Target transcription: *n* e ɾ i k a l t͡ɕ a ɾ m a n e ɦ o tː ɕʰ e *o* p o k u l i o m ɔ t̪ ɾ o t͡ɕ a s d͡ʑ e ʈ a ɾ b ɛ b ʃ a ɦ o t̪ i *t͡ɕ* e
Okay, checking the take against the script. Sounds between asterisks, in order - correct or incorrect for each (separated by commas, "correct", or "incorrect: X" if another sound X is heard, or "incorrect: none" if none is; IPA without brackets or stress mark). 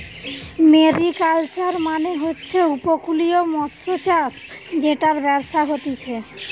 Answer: incorrect: m, incorrect: u, incorrect: t͡ɕʰ